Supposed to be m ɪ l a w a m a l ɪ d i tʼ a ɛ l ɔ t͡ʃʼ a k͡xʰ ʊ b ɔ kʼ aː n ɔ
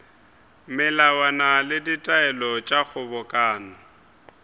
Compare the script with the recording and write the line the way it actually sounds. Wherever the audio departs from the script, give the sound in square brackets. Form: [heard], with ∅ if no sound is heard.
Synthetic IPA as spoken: m ɪ l a w a [n] a l ɪ d i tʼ a ɛ l ɔ t͡ʃʼ a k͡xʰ ʊ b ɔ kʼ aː n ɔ